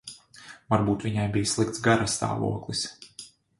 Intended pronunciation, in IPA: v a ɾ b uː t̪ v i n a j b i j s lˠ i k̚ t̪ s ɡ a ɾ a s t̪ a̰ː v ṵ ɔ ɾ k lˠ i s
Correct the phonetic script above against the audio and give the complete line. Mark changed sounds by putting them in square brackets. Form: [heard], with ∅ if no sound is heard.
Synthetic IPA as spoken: v a ɾ b uː t̪ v i [ɲ] a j b i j s lˠ i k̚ t̪ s ɡ a ɾ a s t̪ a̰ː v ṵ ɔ [∅] k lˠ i s